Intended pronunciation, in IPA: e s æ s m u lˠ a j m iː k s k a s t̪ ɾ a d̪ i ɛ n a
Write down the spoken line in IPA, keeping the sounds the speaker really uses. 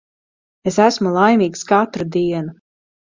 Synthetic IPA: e s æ s m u lˠ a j m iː k s k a t̪ ɾ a d̪ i ɛ n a

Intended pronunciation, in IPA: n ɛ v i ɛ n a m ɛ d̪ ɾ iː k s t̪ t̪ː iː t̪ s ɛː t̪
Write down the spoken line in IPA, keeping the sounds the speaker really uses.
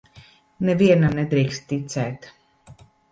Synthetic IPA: n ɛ v i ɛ n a n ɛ d̪ ɾ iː k s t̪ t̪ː i t̪ s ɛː t̪

